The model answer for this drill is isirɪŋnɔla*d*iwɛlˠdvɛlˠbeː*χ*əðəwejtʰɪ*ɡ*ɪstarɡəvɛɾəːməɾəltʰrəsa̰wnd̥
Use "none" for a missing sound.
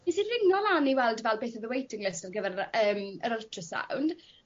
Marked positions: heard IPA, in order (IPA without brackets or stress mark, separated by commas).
n, θ, ŋ